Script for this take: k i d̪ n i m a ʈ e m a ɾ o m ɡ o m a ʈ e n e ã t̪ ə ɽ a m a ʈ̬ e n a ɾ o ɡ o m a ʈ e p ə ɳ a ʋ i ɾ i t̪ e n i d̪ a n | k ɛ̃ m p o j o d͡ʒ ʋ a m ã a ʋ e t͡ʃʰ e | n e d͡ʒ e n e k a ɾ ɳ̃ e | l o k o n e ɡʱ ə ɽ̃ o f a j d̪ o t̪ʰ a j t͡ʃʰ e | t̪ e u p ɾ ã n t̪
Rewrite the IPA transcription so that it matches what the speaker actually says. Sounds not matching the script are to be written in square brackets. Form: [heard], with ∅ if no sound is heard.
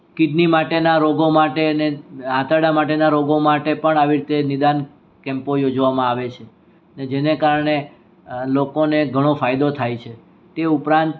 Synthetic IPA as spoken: k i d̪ n i m a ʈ e [n] a ɾ o [∅] ɡ o m a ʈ e n e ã t̪ ə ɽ a m a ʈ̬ e n a ɾ o ɡ o m a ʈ e p ə ɳ a ʋ i ɾ i t̪ e n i d̪ a n | k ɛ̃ m p o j o d͡ʒ ʋ a m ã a ʋ e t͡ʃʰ e | n e d͡ʒ e n e k a ɾ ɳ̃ e | l o k o n e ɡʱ ə ɽ̃ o f a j d̪ o t̪ʰ a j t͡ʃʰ e | t̪ e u p ɾ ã n t̪